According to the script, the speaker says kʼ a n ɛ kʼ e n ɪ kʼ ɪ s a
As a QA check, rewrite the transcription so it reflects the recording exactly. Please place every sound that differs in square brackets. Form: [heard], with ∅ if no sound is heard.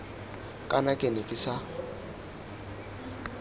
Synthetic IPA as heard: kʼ a n [a] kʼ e n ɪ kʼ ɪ s a